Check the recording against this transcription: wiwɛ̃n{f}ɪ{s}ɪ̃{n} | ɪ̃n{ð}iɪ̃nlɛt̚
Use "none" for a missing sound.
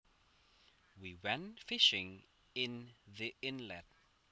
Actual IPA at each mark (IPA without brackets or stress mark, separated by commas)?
f, ʃ, ŋ, ð